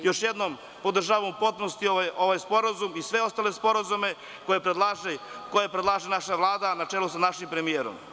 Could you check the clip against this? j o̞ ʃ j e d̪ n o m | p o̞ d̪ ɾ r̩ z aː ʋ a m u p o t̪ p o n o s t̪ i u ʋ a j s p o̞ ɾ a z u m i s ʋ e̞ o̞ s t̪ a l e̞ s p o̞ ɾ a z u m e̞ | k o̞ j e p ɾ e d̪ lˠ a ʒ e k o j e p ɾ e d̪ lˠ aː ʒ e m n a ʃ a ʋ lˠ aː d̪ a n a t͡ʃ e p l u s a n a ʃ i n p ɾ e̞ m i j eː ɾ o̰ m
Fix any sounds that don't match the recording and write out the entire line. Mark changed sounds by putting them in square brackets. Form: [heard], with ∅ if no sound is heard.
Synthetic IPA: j o̞ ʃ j e d̪ n o m | p o̞ d̪ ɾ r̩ [ʒ] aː ʋ a m u p o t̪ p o n o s t̪ i [o] ʋ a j s p o̞ ɾ a z u m i s ʋ e̞ o̞ s t̪ a l e̞ s p o̞ ɾ a z u m e̞ | k o̞ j e p ɾ e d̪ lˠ a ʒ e k o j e p ɾ e d̪ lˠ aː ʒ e [∅] n a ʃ a ʋ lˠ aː d̪ a n a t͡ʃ e [∅] l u s a n a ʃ i [m] p ɾ e̞ m i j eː ɾ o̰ m